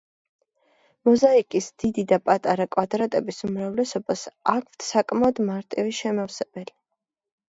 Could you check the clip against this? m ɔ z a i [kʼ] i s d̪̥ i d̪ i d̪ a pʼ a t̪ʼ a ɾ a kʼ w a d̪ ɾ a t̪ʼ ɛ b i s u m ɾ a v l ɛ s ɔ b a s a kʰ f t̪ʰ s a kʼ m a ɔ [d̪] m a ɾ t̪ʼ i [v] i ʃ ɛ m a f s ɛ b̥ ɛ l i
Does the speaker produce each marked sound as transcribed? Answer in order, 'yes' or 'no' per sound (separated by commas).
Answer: yes, yes, yes